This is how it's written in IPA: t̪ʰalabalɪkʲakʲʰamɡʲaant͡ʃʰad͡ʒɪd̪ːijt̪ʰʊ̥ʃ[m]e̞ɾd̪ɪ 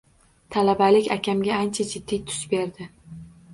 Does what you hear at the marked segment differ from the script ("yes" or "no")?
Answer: yes